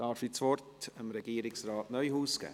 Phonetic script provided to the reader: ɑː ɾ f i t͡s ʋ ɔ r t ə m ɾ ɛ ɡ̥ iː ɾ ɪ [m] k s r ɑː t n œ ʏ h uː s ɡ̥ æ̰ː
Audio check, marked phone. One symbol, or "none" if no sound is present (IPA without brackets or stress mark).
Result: none